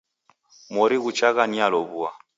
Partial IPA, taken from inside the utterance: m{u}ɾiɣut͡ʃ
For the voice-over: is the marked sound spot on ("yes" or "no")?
no